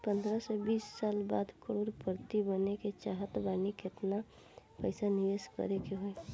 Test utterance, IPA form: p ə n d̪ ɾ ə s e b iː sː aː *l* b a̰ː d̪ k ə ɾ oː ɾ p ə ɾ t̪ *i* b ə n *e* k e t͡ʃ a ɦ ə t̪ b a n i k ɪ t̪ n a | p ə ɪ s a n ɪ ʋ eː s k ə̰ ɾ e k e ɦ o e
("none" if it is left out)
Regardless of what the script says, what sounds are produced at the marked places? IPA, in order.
l, i, e

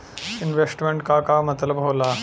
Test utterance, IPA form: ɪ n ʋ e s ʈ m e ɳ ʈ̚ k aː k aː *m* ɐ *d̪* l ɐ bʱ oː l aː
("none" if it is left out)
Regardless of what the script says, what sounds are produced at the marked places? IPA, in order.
m, t̪

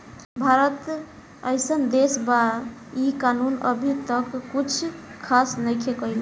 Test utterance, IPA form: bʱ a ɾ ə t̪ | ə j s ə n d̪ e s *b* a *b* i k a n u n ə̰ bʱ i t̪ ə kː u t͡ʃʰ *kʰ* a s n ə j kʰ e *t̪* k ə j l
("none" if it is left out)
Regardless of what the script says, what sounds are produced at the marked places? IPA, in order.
b, none, kʰ, none

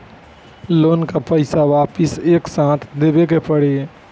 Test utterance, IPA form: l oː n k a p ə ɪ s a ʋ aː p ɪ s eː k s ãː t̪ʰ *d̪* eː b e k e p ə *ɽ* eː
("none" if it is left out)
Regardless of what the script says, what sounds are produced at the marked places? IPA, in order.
d̪, ɽ

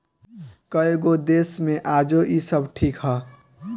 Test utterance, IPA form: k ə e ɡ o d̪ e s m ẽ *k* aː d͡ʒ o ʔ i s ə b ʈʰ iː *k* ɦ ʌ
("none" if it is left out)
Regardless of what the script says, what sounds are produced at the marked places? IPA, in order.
ʔ, k

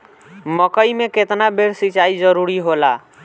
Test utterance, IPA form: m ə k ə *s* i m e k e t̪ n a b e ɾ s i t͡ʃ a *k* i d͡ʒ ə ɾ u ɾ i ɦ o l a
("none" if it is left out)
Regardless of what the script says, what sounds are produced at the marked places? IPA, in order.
none, none

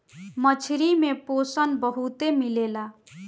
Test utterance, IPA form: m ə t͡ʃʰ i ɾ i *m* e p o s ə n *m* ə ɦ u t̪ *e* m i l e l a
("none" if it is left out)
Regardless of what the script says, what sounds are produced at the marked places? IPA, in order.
m, b, e

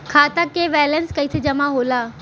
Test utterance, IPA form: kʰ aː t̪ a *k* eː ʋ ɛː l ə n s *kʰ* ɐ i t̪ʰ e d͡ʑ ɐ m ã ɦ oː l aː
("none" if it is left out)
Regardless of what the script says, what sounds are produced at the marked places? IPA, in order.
k, k

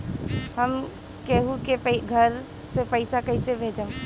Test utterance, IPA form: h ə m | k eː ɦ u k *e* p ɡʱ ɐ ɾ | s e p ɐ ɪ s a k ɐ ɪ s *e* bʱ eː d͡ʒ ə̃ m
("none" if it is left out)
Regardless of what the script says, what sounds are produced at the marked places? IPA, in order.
e, e

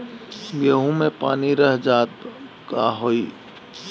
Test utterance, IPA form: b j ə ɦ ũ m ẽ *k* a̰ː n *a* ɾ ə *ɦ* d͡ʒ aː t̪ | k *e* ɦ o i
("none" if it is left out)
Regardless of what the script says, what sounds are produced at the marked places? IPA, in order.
p, i, ɦ, a

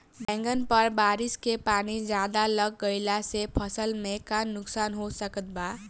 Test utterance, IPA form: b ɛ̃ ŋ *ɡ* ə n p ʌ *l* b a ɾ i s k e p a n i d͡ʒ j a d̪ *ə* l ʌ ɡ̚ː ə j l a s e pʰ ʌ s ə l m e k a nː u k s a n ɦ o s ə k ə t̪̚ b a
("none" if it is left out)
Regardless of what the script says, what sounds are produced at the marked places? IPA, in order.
ɡ, ɾ, a

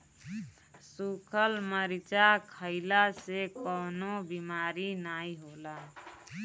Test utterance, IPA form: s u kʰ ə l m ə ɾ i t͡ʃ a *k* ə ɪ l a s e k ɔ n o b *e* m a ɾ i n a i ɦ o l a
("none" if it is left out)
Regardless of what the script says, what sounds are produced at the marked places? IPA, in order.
kʰ, i

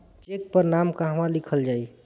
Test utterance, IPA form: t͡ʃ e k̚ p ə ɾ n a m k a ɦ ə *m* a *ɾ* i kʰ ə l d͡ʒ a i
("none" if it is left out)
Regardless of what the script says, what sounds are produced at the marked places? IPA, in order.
m, l

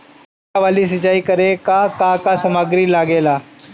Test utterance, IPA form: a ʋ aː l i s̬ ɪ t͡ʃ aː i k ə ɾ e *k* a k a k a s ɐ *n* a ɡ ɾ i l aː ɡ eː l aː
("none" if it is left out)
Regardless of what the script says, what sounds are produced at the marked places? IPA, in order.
k, m

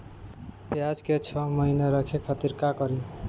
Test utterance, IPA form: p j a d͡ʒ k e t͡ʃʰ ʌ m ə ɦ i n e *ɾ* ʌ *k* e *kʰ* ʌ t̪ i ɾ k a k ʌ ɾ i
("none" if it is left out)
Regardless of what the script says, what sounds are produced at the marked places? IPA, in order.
ɾ, kʰ, kʰ

